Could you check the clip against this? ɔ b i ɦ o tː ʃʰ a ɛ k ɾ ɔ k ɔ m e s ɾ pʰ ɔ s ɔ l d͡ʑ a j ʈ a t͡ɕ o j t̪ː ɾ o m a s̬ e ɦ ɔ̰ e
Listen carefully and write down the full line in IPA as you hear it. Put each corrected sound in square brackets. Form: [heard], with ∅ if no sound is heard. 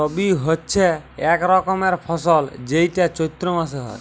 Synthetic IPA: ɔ b i ɦ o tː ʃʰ [e] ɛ k ɾ ɔ k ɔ m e [∅] ɾ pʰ ɔ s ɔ l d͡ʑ [e] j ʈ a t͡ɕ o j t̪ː ɾ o m a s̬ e ɦ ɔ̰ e